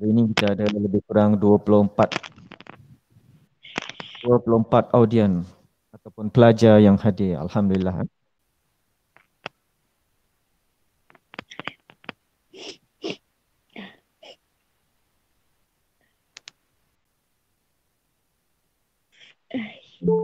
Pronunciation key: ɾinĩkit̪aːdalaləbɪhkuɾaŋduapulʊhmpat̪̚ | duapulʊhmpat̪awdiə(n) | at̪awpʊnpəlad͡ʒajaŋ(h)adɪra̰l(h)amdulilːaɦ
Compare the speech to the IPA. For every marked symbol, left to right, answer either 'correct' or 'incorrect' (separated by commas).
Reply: correct, correct, correct